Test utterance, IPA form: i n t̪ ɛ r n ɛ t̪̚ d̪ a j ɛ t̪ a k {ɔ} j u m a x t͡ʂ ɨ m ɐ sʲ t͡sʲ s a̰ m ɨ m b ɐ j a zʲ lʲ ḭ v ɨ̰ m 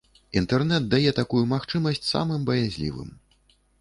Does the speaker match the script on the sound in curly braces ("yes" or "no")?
no